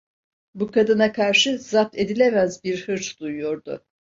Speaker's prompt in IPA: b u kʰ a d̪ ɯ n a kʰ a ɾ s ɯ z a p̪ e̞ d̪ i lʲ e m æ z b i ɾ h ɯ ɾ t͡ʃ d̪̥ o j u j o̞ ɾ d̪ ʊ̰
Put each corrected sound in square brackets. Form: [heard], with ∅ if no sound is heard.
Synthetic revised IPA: b u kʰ a d̪ ɯ n a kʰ a ɾ [ʃ] ɯ z a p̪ e̞ d̪ i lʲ e m æ z b i ɾ h ɯ ɾ t͡ʃ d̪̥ [u] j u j o̞ ɾ d̪ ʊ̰